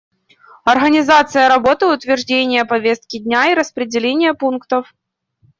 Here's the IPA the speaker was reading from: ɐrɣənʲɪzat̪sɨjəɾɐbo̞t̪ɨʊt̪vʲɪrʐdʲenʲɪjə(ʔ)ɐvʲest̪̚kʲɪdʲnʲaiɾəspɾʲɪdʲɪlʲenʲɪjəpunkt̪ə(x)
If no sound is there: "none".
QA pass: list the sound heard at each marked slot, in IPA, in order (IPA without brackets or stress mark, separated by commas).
p, f